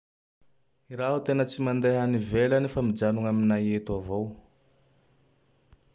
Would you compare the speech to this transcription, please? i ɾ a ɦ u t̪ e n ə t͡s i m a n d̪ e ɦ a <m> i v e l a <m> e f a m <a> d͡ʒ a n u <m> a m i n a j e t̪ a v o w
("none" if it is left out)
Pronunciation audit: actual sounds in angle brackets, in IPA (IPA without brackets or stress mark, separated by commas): n, n, i, ŋ